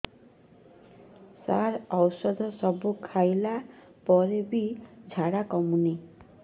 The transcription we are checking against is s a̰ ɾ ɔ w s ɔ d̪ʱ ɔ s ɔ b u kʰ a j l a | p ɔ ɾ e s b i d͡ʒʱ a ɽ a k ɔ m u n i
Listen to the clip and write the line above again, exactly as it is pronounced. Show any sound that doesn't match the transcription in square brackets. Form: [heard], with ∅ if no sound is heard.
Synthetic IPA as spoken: s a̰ ɾ ɔ w s ɔ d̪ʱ ɔ s ɔ b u kʰ a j l a | p ɔ ɾ e [∅] b i d͡ʒʱ a ɽ a k ɔ m u n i

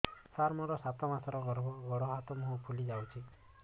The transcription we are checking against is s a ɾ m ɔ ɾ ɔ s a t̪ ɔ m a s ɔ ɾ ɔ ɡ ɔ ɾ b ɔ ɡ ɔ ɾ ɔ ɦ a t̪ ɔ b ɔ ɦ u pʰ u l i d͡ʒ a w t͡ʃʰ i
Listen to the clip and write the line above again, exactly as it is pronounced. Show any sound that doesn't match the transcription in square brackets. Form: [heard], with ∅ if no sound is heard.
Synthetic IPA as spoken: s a ɾ m ɔ ɾ ɔ s a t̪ ɔ m a s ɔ ɾ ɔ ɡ ɔ ɾ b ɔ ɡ ɔ [ɽ] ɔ ɦ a t̪ ɔ [m] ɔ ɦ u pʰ u l i d͡ʒ a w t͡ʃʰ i

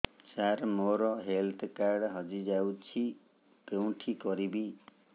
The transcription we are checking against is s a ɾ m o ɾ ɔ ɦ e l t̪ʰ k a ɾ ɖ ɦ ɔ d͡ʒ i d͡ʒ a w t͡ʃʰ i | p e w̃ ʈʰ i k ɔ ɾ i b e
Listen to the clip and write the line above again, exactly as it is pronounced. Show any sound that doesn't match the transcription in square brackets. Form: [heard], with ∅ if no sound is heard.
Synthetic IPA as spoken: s a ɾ m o ɾ ɔ ɦ e l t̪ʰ k a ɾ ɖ ɦ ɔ d͡ʒ i d͡ʒ a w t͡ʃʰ i | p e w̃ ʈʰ i k ɔ ɾ i b [i]

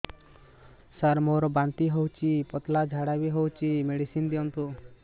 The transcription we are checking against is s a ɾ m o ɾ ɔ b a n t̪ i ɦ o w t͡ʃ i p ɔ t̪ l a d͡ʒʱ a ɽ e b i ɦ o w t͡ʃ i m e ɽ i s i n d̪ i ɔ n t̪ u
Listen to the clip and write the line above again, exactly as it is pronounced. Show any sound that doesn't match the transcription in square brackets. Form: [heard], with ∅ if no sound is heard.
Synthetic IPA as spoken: s a ɾ m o ɾ ɔ b a n t̪ i ɦ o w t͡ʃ i p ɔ t̪ l a d͡ʒʱ a ɽ [a] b i ɦ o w t͡ʃ i m e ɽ i s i n d̪ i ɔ n t̪ u

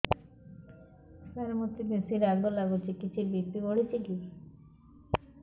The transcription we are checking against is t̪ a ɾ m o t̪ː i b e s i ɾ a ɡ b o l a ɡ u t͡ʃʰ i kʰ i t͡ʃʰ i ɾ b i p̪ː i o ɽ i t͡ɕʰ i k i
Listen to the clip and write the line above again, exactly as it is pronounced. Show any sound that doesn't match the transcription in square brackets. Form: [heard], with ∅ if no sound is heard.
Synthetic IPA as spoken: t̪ a ɾ m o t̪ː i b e s i ɾ a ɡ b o l a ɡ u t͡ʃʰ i [k] i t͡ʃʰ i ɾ b i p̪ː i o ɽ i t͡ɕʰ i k i

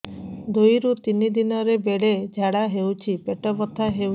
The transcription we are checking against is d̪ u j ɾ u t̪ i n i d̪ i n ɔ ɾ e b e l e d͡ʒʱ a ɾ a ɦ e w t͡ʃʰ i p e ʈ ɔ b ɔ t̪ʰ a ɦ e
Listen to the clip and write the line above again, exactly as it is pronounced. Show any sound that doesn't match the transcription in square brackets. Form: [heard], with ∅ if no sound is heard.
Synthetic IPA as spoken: d̪ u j ɾ u t̪ i n i d̪ i n ɔ ɾ e b e [ɽ] e d͡ʒʱ a [ɽ] a ɦ e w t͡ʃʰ i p e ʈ ɔ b ɔ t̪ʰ a ɦ e

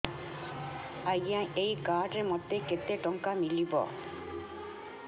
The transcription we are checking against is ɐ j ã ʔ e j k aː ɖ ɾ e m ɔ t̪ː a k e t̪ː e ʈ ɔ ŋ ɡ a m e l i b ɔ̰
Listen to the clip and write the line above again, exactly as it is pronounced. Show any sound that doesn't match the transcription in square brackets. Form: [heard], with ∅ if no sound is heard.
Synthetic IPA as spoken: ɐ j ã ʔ e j k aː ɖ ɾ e m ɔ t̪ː [e] k e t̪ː e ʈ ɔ ŋ [k] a m [i] l i b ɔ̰

